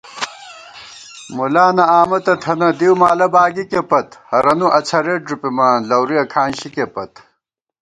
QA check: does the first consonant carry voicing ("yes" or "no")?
yes